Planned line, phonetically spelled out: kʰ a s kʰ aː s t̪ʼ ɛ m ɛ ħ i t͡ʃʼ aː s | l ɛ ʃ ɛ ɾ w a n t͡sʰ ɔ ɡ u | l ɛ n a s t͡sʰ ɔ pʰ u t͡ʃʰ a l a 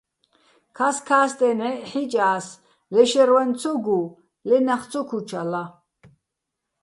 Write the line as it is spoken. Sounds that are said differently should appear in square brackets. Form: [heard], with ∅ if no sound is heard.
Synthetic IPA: kʰ a s kʰ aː s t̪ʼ ɛ [n] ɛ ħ i t͡ʃʼ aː s | l ɛ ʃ ɛ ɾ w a n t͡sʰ ɔ ɡ u | l ɛ n a [χ] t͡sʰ ɔ [kʰ] u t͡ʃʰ a l a